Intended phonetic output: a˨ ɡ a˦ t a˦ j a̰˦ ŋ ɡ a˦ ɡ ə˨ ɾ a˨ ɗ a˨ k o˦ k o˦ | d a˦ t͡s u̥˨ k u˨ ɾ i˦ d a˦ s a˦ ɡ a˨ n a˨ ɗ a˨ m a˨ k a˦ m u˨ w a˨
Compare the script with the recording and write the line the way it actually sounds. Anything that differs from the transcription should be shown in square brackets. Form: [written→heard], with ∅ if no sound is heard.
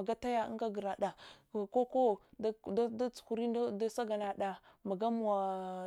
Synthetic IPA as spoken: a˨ ɡ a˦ t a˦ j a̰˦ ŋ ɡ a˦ ɡ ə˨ ɾ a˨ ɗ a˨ k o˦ k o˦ | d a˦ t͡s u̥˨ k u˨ ɾ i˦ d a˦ s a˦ ɡ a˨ n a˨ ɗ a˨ m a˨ [k→ɡ] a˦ m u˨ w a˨